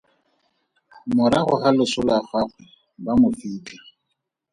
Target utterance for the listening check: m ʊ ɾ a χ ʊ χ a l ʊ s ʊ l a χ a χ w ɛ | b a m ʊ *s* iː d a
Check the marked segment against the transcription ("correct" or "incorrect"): incorrect